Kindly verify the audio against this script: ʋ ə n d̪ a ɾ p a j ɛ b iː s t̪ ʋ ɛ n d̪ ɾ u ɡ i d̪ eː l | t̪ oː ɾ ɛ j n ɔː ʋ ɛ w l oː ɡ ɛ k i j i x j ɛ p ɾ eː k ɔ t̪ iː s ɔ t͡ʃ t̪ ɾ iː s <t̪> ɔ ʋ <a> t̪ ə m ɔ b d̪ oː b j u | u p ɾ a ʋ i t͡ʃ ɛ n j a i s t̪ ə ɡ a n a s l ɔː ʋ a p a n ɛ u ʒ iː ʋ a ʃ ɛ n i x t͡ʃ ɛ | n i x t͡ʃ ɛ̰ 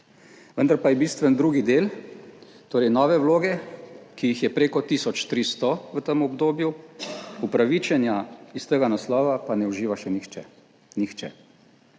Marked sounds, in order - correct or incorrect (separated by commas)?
correct, incorrect